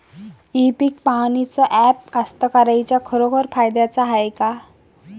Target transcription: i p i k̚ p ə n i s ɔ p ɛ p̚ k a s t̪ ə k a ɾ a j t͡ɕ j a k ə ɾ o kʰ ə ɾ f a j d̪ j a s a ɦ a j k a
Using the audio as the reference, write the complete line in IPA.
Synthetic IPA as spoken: i p i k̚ p a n i t͡s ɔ ʔ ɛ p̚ k a s t̪ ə k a ɾ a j t͡ɕ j a kʰ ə ɾ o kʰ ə ɾ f a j d̪ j a t͡s a ɦ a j k a